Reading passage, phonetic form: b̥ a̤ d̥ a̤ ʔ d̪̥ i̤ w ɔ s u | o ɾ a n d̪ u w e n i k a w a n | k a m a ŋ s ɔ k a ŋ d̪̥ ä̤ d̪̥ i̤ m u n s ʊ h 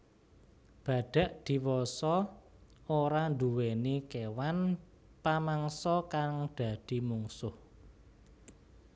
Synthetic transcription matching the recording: b̥ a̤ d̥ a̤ ʔ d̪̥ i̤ w ɔ s ɔ | o ɾ a n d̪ u w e n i k e w a n | p a m a ŋ s ɔ k a ŋ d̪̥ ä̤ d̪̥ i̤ m u ŋ s ʊ h

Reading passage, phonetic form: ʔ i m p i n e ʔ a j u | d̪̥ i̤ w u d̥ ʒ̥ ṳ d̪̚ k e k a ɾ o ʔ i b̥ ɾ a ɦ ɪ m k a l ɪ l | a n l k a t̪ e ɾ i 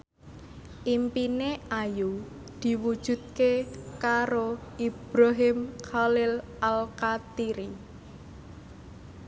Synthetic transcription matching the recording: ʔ i m p i n e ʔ a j u | d̪̥ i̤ w u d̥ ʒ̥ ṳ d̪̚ k e k a ɾ o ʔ i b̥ ɾ a ɦ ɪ m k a l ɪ l | a l k a t̪ i ɾ i

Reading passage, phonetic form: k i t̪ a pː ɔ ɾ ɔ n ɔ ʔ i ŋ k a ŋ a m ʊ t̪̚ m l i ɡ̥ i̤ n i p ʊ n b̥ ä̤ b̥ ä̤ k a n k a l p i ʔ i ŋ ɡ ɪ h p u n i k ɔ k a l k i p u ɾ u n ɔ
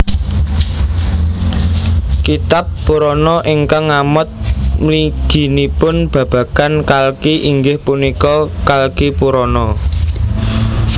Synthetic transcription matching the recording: k i t̪ a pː u ɾ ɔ n ɔ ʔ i ŋ k a ŋ a m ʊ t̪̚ m l i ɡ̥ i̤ n i p ʊ n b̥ ä̤ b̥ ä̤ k a n k a l k i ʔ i ŋ ɡ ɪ h p u n i k ɔ k a l k i p u ɾ ɔ n ɔ

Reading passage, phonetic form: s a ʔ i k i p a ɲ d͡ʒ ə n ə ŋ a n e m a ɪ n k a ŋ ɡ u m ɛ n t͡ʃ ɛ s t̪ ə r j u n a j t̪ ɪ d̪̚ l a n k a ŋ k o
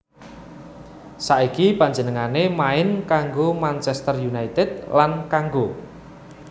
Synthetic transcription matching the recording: s a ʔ i k i p a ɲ d͡ʒ ə n ə ŋ a n e m a ɪ n k a ŋ ɡ o m a n t͡ʃ ɛ s t̪ ə r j u n a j t̪ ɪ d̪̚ l a n k a ŋ ɡ o

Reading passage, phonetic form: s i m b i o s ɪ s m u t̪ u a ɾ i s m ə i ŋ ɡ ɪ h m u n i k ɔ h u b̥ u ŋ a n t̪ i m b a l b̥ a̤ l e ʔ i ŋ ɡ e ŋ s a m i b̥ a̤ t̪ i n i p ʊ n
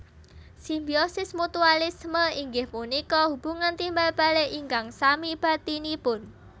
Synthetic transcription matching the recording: s i m b i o s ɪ s m u t̪ u a l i s m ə i ŋ ɡ ɪ h m u n i k ɔ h u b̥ u ŋ a n t̪ i m b a l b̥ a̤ l e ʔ i ŋ ɡ a ŋ s a m i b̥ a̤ t̪ i n i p ʊ n

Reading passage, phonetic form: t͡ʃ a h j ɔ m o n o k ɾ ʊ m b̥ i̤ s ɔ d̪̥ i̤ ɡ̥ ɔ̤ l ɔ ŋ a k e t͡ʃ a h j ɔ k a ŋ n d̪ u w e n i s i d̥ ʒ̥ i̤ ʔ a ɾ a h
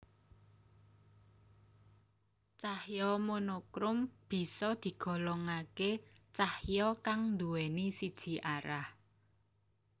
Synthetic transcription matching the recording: t͡ʃ a h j ɔ m o n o k ɾ ʊ m b̥ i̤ s ɔ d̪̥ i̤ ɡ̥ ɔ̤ l ɔ ŋ a k e t͡ʃ a h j ɔ k a ŋ n d̪ u w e n i s i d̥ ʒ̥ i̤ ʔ a ɾ a h

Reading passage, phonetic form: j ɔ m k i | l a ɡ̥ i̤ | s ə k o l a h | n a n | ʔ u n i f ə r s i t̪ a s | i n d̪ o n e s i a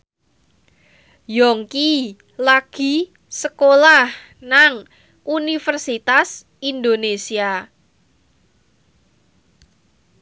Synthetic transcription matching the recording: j ɔ ŋ k i | l a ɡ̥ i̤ | s ə k o l a h | n a ŋ | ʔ u n i f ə r s i t̪ a s | i n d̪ o n e s i a

